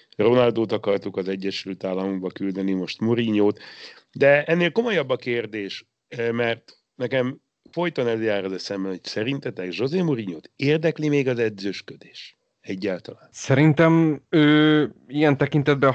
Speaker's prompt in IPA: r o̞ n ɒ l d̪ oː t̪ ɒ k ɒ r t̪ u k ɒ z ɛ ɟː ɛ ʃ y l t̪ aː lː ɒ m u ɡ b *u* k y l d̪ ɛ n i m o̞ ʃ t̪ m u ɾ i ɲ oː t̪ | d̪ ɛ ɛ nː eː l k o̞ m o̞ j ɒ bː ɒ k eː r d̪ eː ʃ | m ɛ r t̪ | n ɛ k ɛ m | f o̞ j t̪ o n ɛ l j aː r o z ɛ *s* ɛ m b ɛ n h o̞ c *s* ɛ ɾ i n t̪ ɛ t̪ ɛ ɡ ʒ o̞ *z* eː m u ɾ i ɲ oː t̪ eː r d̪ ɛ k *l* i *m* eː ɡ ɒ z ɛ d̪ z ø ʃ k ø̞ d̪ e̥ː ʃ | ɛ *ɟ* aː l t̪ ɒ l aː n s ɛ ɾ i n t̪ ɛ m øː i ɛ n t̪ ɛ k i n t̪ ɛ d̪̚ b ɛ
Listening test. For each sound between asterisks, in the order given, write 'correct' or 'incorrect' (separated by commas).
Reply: incorrect, correct, correct, correct, correct, correct, incorrect